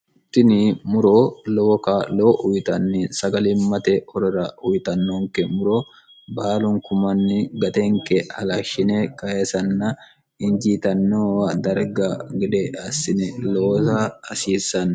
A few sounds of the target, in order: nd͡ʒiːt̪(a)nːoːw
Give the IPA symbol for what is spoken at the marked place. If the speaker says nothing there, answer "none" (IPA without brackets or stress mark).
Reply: ɐ